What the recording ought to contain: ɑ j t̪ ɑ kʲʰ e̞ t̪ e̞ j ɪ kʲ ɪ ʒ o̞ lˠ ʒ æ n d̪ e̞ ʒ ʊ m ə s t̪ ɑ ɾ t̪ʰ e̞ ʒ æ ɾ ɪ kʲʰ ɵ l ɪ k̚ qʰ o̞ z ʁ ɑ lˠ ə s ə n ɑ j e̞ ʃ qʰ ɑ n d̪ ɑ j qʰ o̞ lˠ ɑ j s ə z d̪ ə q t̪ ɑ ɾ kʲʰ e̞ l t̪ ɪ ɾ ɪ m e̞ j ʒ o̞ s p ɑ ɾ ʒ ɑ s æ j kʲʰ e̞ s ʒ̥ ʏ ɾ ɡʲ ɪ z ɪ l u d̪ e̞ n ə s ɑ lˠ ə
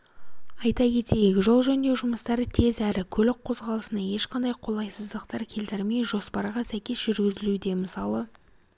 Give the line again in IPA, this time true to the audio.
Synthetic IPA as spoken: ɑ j t̪ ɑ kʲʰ e̞ t̪ e̞ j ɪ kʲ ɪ ʒ o̞ lˠ ʒ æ n d̪ e̞ ʒ ʊ m ə s t̪ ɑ ɾ t̪ʰ e̞ z æ ɾ ɪ kʲʰ ɵ l ɪ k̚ qʰ o̞ z ʁ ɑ lˠ ə s ə n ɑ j e̞ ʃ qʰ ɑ n d̪ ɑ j qʰ o̞ lˠ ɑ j s ə z d̪ ə q t̪ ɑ ɾ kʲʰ e̞ l t̪ ɪ ɾ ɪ m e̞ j ʒ o̞ s p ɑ ɾ ʁ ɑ s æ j kʲ e̞ s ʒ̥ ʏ ɾ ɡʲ ɪ z ɪ l u d̪ e̞ m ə s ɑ lˠ ə